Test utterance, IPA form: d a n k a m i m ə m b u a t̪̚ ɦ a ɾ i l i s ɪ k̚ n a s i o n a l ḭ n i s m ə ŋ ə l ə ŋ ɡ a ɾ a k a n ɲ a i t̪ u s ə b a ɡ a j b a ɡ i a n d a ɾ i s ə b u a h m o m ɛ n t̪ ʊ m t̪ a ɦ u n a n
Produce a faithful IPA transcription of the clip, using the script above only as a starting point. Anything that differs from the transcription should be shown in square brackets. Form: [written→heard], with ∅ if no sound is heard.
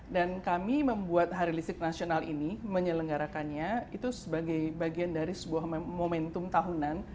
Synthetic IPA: d a n k a m i m ə m b u a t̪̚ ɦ a ɾ i l i s ɪ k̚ n a s i o n a l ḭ n i [s→∅] m ə [ŋ→ɲ] ə l ə ŋ ɡ a ɾ a k a n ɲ a i t̪ u s ə b a ɡ a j b a ɡ i a n d a ɾ i s ə b u a h m o m ɛ n t̪ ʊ m t̪ a ɦ u n a n